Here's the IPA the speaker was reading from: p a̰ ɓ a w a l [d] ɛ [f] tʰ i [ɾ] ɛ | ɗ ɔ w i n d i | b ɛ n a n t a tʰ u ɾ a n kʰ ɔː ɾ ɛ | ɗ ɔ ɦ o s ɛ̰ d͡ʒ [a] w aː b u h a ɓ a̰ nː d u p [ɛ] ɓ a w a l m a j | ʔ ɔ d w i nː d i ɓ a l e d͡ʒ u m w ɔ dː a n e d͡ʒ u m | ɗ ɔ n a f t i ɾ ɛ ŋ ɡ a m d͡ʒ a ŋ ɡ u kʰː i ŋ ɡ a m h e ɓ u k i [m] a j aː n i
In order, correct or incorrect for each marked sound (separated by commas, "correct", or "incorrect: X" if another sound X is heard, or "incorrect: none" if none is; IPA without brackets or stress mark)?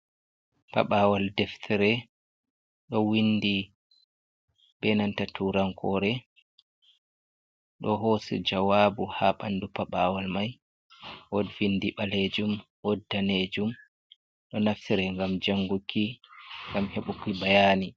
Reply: correct, correct, correct, correct, incorrect: a, incorrect: b